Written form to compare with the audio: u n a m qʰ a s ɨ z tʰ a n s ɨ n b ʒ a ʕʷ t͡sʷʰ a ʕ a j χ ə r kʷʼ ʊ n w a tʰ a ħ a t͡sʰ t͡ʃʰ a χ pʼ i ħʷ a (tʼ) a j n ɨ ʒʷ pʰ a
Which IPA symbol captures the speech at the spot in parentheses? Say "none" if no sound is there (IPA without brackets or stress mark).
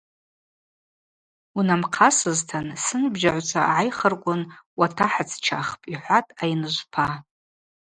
tʼ